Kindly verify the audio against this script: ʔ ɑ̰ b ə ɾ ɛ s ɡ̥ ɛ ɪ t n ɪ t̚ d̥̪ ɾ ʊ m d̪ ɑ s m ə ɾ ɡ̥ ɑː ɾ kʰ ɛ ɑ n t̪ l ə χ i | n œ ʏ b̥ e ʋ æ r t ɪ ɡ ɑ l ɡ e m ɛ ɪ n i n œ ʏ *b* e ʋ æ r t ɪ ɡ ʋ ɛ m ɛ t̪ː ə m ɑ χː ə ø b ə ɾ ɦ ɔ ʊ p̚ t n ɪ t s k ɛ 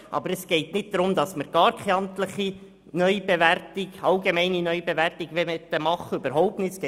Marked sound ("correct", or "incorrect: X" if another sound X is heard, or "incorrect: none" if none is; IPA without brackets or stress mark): correct